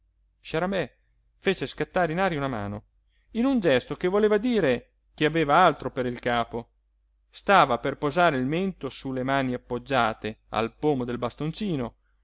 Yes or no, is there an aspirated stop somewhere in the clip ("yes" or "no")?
no